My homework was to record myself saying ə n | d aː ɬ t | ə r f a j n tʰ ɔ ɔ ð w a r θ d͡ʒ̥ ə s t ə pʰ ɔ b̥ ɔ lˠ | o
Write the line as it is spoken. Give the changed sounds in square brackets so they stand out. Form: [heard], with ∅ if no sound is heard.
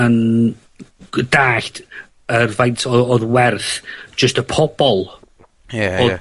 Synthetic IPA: ə n | d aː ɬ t | ə r [v] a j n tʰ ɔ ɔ ð w [ɛ] r θ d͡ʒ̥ ə s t ə pʰ ɔ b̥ ɔ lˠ | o